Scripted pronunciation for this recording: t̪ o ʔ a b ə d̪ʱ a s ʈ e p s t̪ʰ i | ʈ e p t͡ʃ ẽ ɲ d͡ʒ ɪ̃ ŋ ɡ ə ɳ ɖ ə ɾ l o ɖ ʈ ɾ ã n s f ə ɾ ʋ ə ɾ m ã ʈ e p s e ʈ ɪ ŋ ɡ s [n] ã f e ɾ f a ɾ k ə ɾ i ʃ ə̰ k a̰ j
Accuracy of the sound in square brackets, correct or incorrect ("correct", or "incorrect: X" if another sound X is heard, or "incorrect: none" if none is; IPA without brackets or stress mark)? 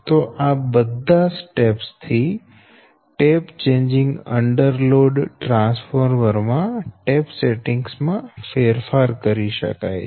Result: incorrect: m